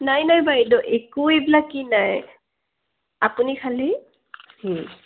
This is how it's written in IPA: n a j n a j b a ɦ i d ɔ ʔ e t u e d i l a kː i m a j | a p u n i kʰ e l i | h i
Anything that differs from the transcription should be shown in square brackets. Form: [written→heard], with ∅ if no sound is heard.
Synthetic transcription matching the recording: n a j n a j b a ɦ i d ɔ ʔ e [t→k] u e [d→b] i l a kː i [m→n] a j | a p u n i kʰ [e→a] l i | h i